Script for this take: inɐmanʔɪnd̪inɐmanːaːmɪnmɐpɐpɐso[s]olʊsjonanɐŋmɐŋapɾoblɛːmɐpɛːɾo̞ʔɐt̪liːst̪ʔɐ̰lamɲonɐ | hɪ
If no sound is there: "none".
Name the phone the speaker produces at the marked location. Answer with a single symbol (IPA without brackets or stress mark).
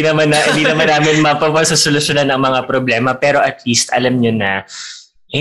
s